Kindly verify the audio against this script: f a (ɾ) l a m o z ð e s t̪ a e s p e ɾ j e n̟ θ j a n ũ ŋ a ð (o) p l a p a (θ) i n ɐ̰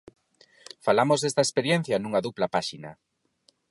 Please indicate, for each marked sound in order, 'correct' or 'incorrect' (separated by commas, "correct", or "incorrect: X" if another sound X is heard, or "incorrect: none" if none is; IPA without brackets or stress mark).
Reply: incorrect: none, incorrect: u, incorrect: ʃ